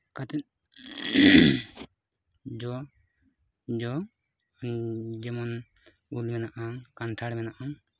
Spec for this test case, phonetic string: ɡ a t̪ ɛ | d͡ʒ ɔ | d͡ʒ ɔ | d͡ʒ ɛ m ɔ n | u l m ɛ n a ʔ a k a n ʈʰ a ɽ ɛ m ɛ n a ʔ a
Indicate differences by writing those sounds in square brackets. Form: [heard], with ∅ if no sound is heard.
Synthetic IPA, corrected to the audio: [k] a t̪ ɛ | d͡ʒ ɔ | d͡ʒ ɔ | d͡ʒ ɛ m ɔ n | u l m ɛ n a ʔ a k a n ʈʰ a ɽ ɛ m ɛ n a ʔ a